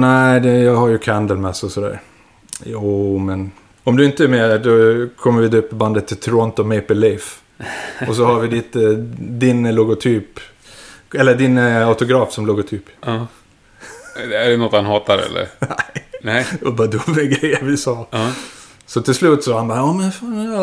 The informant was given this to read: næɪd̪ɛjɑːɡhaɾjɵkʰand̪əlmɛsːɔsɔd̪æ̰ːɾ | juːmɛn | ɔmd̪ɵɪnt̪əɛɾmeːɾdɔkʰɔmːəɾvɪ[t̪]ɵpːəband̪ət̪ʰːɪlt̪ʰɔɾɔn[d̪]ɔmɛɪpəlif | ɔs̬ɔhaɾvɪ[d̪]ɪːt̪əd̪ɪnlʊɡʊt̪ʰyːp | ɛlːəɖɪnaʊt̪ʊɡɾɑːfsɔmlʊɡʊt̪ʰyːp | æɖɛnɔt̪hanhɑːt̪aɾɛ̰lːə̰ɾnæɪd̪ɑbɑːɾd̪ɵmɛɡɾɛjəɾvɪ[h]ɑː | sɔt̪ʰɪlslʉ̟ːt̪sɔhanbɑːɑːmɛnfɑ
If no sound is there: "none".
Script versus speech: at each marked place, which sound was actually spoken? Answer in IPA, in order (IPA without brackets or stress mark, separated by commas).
d̪, t̪, d̪, s